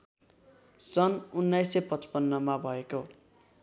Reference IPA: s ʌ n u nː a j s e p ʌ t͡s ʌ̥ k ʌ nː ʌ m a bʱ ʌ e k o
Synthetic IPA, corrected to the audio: s ʌ n u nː a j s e p ʌ t͡s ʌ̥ p ʌ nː ʌ m a bʱ ʌ e k o